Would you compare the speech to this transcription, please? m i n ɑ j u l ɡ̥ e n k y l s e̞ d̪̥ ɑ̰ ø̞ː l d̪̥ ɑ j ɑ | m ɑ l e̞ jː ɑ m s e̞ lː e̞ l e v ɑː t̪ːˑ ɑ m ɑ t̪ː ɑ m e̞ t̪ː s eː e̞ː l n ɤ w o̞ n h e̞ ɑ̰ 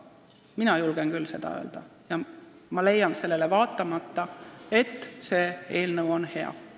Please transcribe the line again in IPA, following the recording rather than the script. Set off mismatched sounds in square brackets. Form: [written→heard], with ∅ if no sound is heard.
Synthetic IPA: m i n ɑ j u l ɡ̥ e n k y l s e̞ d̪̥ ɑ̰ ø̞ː l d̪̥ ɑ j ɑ | m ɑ l e̞ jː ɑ [m→n] s e̞ lː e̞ l e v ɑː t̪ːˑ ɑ m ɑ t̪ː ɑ [m→∅] e̞ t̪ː s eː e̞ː l n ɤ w o̞ n h e̞ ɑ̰

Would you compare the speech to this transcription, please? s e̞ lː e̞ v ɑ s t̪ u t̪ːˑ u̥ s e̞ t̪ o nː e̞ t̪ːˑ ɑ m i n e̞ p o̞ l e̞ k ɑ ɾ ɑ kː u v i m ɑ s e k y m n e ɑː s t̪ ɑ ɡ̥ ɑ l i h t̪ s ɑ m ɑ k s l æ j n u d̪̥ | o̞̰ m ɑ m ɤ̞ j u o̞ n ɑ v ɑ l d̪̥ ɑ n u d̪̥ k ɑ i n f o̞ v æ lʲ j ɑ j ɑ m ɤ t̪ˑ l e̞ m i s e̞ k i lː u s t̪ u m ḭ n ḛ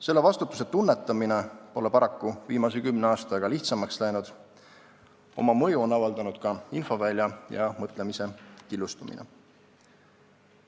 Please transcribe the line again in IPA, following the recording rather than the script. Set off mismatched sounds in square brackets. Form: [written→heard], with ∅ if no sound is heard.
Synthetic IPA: s e̞ lː e̞ v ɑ s t̪ u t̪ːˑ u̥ s e̞ t̪ [o→u] nː e̞ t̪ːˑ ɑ m i n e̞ p o̞ l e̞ [k→p] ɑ ɾ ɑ kː u v [i→iː] m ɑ s e k y m n e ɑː s t̪ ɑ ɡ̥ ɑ l i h t̪ s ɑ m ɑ k s l æ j n u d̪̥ | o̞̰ m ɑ m ɤ̞ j u o̞ n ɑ v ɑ l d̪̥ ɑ n u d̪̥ k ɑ i n f o̞ v æ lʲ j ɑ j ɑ m ɤ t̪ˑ l e̞ m i s e̞ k i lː u s t̪ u m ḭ n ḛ

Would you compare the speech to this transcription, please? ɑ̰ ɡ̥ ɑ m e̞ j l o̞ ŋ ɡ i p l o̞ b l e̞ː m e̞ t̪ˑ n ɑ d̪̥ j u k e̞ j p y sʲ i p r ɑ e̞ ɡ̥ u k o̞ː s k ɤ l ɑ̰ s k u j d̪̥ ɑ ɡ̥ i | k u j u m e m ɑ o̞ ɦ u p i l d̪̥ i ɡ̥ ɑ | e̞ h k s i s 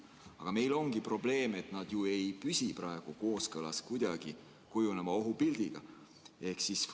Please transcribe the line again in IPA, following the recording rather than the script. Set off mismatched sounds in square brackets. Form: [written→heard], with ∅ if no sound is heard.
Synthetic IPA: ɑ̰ ɡ̥ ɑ m e̞ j l o̞ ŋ ɡ i p [l→r] o̞ b l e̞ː m e̞ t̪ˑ n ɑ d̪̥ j u [k→∅] e̞ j p y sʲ i p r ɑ e̞ ɡ̥ u k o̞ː s k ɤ l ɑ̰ s k u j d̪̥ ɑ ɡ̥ i | k u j u [m→n] e m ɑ o̞ ɦ u p i l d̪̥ i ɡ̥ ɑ | e̞ h k s i s

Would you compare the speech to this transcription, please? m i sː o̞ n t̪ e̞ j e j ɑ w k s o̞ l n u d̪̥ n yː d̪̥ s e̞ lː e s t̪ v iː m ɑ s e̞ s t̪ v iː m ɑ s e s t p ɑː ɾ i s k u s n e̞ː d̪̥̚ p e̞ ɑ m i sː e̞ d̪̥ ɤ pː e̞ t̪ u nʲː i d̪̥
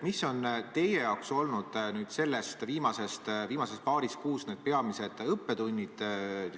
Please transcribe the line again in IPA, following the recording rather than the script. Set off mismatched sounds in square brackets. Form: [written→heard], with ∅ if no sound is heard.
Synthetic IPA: m i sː o̞ n t̪ e̞ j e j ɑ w k s o̞ l n u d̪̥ n yː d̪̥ s e̞ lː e s t̪ v iː m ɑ s e̞ s t̪ v iː m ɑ s e s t p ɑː ɾ i s k [u→uː] s n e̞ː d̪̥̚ p e̞ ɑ m i [sː→s] e̞ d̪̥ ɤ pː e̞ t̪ u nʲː i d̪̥

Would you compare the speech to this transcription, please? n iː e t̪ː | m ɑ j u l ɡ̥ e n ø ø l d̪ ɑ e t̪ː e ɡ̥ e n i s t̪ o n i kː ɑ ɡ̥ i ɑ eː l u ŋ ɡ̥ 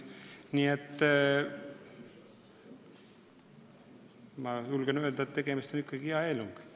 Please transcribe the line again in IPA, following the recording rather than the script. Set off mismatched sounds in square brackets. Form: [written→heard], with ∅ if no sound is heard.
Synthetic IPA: n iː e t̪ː | m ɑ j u l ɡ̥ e n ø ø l d̪ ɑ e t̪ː e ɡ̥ e [n→m] i s t̪ o n i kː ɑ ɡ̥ i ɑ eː l u ŋ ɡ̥

